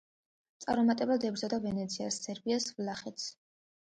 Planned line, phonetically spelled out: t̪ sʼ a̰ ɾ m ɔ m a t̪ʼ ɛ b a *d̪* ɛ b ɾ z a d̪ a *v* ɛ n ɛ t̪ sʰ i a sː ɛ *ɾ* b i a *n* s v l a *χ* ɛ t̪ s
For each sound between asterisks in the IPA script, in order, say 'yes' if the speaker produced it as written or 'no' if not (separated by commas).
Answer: yes, yes, yes, no, yes